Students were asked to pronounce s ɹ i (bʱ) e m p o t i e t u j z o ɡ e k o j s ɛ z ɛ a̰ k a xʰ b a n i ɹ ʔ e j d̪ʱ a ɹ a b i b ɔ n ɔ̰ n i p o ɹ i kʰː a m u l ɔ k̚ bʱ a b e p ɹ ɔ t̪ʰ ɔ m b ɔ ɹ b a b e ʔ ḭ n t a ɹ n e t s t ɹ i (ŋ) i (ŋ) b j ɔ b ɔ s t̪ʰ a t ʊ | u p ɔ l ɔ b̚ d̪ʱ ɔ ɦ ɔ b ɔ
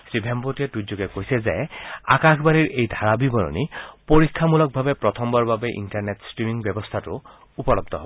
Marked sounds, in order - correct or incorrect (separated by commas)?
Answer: correct, incorrect, correct